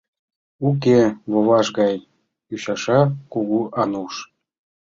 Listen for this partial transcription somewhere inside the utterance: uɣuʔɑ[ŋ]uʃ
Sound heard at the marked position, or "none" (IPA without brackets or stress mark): n